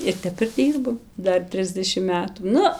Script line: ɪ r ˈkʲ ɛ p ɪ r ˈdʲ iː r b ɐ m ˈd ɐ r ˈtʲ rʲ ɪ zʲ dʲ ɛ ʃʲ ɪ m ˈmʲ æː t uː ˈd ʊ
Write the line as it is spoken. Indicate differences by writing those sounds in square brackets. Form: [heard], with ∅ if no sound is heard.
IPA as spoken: ɪ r [ˈtʲ] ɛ p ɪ r ˈdʲ iː r b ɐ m ˈd ɐ r ˈtʲ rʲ ɪ zʲ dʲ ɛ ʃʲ ɪ m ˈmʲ æː t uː [ˈn] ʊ